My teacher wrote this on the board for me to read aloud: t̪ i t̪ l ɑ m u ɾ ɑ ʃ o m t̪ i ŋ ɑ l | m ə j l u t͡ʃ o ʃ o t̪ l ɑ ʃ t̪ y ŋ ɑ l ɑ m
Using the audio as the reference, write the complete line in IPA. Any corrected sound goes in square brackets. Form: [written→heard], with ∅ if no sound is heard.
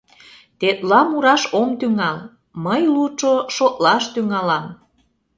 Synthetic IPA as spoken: t̪ [i→e] t̪ l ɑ m u ɾ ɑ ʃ o m t̪ [i→y] ŋ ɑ l | m ə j l u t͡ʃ o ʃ o t̪ l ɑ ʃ t̪ y ŋ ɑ l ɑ m